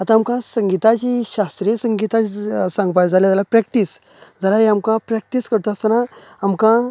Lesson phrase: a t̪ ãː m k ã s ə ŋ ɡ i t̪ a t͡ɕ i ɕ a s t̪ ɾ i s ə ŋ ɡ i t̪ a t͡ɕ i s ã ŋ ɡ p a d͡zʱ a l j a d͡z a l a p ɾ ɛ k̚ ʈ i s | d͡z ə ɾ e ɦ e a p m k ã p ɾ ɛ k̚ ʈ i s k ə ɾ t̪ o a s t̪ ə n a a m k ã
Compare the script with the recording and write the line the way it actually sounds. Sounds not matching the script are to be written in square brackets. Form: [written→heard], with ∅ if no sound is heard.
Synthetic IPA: a t̪ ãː m k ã s ə ŋ ɡ i t̪ a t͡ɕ i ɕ a s t̪ ɾ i s ə ŋ ɡ i t̪ a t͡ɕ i s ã ŋ ɡ p a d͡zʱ a l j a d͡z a l a p ɾ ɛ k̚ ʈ i s | d͡z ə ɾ [e→a] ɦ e a [p→∅] m k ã p ɾ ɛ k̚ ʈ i s k ə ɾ t̪ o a s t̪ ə n a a m k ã